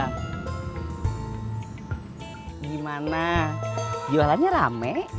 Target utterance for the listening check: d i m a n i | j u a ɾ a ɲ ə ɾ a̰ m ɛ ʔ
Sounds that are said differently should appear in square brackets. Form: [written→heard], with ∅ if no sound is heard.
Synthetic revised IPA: [d→ɡ] i m a n [i→a] | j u a [ɾ→l] a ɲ [ə→a] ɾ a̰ m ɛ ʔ